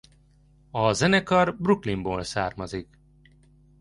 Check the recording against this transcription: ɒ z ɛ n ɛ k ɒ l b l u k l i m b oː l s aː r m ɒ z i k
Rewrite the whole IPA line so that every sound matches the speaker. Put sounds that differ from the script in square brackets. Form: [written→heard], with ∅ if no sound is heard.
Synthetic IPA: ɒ z ɛ n ɛ k ɒ [l→r] b [l→r] u k l i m b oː l s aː r m ɒ z i k